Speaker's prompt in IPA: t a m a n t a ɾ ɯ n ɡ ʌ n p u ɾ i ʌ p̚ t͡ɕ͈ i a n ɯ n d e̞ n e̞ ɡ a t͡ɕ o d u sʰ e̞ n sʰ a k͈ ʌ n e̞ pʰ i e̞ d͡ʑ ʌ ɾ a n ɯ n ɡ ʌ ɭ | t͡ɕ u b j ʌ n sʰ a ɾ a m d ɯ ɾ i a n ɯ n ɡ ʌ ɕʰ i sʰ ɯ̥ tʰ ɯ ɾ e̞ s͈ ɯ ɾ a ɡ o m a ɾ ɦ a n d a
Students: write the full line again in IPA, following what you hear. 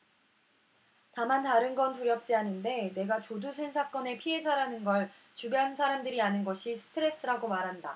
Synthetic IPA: t a m a n t a ɾ ɯ n ɡ ʌ n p u ɾ j ʌ p̚ t͡ɕ͈ i a n ɯ n d e̞ n e̞ ɡ a t͡ɕ o d u sʰ e̞ n sʰ a k͈ ʌ n e̞ pʰ i e̞ d͡ʑ a ɾ a n ɯ n ɡ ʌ ɭ | t͡ɕ u b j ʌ n sʰ a ɾ a m d ɯ ɾ i a n ɯ n ɡ ʌ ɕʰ i sʰ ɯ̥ tʰ ɯ ɾ e̞ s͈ ɯ ɾ a ɡ o m a ɾ ɦ a n d a